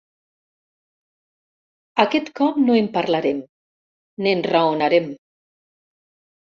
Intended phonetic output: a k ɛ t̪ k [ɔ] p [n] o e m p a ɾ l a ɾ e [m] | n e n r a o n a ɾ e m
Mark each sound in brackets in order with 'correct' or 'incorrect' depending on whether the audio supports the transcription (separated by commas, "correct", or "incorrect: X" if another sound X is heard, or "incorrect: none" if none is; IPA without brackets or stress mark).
correct, correct, correct